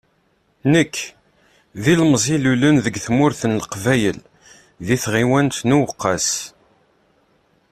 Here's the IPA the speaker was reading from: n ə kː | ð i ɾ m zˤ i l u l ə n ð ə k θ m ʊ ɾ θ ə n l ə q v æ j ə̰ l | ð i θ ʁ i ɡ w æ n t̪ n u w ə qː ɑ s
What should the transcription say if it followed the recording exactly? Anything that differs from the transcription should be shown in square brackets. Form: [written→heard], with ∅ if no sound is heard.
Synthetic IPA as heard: n ə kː | ð i [ɾ→l] m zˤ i l u l ə n ð ə [k→ɡ] θ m ʊ ɾ θ ə n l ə q v æ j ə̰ l | ð i θ ʁ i [ɡ→∅] w æ n t̪ n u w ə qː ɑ s